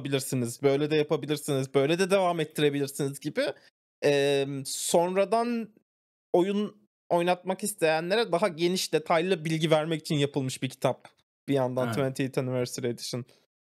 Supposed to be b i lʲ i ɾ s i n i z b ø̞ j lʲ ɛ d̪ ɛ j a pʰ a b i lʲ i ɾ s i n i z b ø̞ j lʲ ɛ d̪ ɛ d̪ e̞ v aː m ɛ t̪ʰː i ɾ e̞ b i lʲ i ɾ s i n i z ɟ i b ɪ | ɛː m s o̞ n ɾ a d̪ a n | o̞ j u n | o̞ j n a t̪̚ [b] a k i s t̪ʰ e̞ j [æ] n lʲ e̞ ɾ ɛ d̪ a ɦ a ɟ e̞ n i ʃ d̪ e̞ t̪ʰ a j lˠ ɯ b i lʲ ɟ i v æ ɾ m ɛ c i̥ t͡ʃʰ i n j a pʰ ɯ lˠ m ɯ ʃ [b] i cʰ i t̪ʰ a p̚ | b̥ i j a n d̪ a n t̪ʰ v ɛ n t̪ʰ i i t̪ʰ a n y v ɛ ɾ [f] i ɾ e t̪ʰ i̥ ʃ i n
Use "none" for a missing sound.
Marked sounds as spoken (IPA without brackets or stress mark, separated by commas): m, æ, b, s